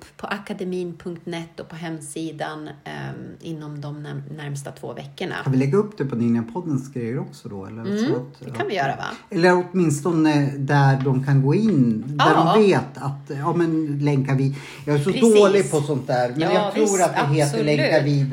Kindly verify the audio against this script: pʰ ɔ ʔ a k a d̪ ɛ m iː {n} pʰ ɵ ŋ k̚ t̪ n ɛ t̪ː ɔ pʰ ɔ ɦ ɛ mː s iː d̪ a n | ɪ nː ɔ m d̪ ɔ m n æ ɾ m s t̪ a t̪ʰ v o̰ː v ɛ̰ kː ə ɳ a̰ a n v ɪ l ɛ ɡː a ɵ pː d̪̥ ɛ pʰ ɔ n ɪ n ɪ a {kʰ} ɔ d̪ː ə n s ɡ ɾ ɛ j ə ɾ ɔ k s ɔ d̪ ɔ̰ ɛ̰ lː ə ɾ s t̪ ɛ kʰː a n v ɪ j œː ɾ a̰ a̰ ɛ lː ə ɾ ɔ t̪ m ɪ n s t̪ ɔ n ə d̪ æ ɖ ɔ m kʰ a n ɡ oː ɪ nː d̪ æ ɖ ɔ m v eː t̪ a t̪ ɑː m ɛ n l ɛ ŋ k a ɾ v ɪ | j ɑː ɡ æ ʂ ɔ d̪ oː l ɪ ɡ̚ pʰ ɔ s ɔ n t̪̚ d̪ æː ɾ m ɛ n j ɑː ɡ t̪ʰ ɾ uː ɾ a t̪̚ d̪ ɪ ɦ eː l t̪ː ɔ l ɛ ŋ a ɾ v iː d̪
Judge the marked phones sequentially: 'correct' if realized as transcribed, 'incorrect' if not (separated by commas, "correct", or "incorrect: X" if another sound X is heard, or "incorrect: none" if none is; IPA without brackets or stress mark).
correct, incorrect: pʰ